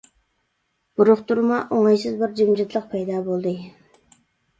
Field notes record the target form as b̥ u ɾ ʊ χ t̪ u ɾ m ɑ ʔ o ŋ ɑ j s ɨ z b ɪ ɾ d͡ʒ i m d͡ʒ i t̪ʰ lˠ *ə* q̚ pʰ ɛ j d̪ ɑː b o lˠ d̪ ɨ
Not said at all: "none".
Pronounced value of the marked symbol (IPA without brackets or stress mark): ə